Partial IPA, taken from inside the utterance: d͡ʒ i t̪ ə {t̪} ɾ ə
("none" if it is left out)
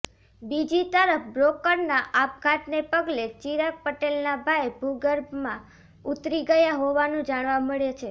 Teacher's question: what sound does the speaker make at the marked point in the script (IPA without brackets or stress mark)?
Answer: none